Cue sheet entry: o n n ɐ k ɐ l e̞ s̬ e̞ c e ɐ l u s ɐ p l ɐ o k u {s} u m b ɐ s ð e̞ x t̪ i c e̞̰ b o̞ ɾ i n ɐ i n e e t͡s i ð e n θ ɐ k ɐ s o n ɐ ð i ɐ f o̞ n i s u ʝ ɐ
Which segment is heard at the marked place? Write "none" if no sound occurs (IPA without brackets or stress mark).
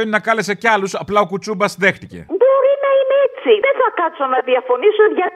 t͡s